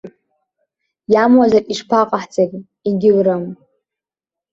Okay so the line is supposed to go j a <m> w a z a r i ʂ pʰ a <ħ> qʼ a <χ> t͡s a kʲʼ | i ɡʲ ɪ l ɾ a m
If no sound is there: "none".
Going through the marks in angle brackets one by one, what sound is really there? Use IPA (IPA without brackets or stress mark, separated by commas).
m, none, ħ